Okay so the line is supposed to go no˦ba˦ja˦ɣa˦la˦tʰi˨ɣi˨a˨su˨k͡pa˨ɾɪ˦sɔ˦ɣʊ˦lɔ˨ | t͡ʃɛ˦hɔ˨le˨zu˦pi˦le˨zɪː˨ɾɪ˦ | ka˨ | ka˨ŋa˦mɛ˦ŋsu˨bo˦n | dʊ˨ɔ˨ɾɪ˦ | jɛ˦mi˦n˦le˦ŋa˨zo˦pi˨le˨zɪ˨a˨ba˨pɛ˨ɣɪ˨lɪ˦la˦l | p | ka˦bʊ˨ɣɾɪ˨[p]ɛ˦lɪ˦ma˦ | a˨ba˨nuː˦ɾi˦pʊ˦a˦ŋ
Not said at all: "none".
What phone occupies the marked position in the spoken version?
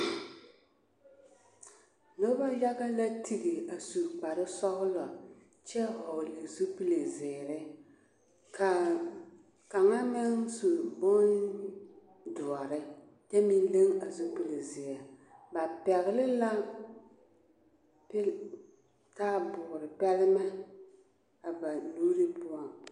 p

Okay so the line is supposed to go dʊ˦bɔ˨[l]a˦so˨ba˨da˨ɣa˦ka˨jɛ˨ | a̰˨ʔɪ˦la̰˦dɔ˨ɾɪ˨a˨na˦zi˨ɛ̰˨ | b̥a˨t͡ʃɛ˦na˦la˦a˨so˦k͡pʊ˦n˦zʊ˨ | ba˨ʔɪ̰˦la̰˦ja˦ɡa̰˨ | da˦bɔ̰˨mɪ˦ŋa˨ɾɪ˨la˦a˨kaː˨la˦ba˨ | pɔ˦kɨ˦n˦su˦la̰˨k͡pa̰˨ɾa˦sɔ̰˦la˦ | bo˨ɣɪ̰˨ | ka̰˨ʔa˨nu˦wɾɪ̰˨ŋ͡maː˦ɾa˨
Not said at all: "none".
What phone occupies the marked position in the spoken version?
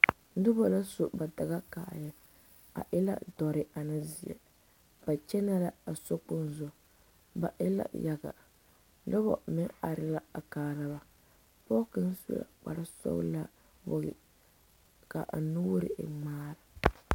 l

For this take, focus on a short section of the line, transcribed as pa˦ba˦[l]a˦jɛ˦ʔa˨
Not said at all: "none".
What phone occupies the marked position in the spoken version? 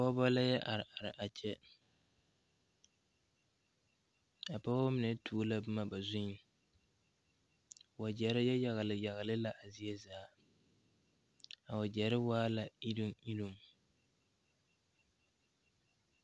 l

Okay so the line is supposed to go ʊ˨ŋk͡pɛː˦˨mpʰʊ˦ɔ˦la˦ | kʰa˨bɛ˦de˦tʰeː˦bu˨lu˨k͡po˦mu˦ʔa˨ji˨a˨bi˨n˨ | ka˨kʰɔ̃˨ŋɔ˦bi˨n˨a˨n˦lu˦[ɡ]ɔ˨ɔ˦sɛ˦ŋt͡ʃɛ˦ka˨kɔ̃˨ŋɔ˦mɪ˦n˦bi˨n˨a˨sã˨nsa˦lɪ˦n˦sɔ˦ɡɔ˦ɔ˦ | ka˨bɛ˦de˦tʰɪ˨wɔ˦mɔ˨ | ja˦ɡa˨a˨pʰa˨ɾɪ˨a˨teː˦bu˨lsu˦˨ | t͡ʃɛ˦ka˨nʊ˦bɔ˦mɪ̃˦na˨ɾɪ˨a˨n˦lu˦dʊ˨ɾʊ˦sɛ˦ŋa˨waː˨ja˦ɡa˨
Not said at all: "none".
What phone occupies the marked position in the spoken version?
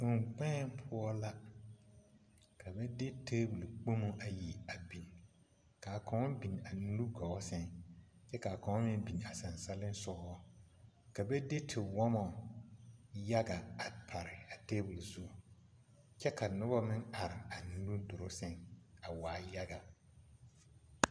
ɡ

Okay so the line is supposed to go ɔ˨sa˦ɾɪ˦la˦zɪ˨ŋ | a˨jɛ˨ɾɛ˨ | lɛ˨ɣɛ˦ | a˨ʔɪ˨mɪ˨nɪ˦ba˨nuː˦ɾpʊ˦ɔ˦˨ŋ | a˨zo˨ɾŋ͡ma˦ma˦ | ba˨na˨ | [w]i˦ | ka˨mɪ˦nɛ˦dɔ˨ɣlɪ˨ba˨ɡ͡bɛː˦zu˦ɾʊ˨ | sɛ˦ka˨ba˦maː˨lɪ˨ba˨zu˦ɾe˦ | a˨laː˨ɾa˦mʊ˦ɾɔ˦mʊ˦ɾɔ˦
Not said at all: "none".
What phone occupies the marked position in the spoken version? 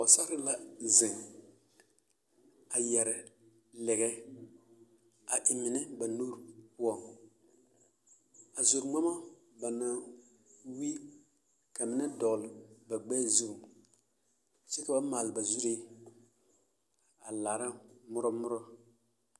w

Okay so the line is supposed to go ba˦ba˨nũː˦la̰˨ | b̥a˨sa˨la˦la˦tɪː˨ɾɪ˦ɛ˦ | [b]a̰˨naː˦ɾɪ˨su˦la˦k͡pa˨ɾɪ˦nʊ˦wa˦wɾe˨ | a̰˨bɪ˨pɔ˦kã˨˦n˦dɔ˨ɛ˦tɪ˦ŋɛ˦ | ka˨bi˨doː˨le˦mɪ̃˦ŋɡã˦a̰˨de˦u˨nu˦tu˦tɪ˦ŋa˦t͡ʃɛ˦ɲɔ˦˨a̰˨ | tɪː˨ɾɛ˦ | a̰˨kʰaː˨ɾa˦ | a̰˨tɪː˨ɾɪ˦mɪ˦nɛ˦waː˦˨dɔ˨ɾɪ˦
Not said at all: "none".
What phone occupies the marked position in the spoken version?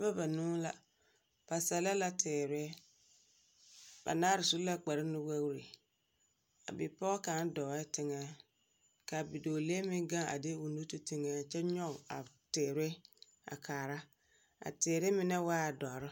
b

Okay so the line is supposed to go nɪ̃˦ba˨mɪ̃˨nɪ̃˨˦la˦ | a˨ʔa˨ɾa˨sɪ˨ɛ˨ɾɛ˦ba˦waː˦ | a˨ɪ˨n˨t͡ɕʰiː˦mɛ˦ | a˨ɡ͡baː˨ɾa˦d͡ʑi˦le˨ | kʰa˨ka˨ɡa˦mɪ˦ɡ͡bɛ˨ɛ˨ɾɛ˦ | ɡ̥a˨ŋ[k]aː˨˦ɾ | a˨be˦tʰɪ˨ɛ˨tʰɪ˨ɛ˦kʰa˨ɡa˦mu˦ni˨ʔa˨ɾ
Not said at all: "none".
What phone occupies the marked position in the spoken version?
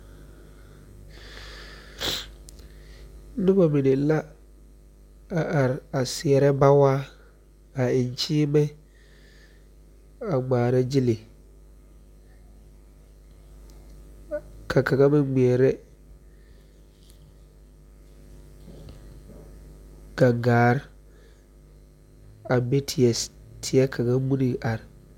ɡ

